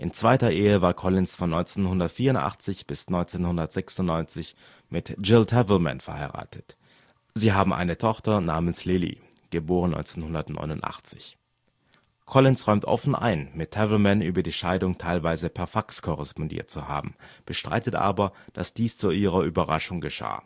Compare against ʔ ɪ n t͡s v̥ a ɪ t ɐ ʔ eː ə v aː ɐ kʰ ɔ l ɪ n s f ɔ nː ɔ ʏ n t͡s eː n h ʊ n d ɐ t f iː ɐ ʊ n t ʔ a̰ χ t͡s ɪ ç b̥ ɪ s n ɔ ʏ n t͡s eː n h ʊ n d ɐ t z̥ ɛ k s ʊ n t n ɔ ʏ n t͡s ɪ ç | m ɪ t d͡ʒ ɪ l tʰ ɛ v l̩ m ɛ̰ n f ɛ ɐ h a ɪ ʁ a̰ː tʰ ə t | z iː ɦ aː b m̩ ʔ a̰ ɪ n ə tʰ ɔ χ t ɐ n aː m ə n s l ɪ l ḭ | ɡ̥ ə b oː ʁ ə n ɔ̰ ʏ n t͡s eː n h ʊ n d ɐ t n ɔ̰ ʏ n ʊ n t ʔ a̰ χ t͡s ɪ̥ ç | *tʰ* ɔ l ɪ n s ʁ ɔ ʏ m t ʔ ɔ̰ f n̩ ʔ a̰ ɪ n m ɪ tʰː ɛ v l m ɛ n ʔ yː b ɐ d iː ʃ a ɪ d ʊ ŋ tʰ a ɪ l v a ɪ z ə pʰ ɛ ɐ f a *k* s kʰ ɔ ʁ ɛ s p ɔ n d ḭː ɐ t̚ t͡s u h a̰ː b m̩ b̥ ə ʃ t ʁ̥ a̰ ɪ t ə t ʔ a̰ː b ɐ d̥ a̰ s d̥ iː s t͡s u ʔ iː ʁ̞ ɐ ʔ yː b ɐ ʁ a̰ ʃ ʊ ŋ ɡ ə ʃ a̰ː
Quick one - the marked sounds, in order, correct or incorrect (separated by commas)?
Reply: incorrect, correct